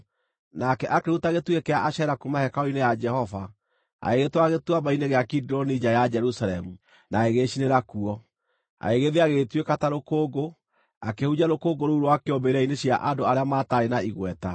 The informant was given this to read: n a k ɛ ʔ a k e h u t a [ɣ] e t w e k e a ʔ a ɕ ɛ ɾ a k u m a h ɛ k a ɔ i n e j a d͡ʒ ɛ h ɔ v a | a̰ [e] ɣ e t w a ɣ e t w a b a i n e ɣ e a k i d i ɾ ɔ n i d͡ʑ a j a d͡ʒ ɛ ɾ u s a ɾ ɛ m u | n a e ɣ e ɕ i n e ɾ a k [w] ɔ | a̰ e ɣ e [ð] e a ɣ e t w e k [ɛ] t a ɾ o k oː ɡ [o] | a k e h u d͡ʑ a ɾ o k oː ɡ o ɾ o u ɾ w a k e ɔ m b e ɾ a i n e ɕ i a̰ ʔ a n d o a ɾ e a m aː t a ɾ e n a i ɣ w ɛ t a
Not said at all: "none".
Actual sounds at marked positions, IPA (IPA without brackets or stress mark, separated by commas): ɣ, e, u, ð, a, o